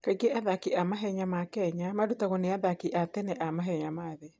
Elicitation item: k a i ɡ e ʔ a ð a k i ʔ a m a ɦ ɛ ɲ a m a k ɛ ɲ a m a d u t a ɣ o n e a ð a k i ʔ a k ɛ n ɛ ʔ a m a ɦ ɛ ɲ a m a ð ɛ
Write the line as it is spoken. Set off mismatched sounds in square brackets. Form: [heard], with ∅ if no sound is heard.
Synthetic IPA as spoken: k a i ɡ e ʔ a ð a k i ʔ a m a ɦ ɛ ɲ a m a k ɛ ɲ a m a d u t a ɣ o n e a ð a k i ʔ a [t] ɛ n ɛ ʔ a m a ɦ ɛ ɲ a m a ð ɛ

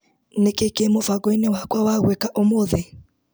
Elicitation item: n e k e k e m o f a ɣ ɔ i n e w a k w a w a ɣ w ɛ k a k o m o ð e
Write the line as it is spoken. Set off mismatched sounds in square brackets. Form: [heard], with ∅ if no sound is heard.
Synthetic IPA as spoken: n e k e k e m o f a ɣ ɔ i n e w a k w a w a ɣ w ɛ k a [ʔ] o m o ð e

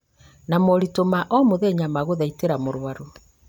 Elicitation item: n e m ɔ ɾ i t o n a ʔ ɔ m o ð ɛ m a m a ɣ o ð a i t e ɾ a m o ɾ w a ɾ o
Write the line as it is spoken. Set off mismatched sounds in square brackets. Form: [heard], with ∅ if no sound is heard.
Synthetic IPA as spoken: n [a] m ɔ ɾ i t o [m] a ʔ ɔ m o ð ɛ [ɲ] a m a ɣ o ð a i t e ɾ a m o ɾ w a ɾ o

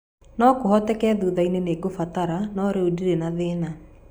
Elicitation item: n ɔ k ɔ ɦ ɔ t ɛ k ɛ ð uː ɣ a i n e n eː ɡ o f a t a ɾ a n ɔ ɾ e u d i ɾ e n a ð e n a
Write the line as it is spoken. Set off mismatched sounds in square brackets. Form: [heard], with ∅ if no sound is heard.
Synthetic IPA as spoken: n ɔ k [o] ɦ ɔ t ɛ k ɛ ð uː [ð] a i n e n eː ɡ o f a t a ɾ a n ɔ ɾ e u d i ɾ e n a ð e n a

